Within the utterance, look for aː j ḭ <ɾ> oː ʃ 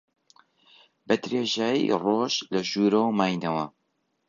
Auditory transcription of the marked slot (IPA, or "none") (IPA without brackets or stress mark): r